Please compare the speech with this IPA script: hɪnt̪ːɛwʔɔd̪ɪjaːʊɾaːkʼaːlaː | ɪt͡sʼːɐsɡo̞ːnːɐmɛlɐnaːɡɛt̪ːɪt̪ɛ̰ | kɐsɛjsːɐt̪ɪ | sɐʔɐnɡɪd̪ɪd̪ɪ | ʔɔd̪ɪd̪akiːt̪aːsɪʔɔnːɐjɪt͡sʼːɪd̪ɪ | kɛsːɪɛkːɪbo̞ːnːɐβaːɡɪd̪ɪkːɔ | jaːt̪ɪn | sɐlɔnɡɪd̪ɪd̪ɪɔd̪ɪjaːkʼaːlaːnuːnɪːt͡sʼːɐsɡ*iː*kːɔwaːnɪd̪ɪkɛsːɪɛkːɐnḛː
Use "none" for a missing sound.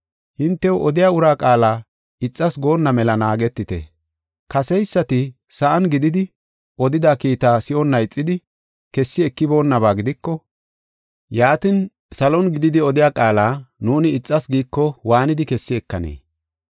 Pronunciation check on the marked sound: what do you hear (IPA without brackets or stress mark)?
iː